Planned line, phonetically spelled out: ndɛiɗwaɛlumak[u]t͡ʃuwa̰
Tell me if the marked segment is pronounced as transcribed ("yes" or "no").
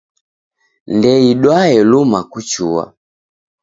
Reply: yes